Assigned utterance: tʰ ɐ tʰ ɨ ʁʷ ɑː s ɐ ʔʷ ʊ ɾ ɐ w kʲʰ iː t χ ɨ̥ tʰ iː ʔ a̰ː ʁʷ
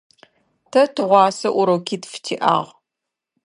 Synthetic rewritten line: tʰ ɐ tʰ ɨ ʁʷ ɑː s ɐ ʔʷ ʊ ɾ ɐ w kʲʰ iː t f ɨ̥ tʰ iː ʔ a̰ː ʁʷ